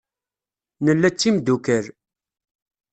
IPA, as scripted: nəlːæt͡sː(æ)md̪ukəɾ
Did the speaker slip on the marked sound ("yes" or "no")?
yes